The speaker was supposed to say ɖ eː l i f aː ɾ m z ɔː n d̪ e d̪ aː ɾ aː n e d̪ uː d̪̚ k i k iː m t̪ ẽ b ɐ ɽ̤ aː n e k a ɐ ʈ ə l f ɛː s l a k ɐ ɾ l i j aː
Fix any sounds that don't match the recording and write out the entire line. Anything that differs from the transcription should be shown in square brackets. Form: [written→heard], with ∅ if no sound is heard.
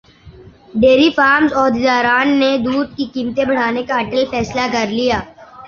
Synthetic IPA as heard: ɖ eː [l→ɾ] i f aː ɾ m z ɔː [n→∅] d̪ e d̪ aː ɾ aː [n→nː] e d̪ uː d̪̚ k i k iː m t̪ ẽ b ɐ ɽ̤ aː n e k a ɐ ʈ ə l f ɛː s l a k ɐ ɾ l i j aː